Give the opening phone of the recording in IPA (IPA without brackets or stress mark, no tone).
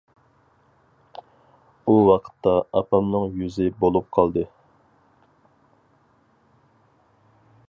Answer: u